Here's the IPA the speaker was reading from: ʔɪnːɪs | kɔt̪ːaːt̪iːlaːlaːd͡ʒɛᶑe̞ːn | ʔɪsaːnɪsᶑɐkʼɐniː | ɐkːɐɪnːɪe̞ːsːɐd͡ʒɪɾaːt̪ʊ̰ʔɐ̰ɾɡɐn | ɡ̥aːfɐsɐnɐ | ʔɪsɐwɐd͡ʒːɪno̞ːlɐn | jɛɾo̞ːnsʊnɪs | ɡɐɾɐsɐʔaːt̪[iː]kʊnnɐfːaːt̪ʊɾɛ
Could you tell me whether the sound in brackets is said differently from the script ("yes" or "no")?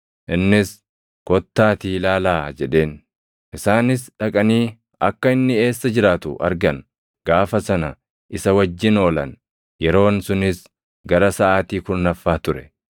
no